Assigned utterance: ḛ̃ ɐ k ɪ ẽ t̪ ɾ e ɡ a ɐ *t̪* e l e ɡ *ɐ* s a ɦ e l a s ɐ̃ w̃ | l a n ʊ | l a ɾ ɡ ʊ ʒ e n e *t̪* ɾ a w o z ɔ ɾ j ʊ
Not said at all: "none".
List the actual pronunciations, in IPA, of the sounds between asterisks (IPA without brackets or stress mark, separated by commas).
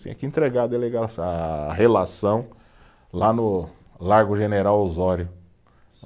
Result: d̪, a, none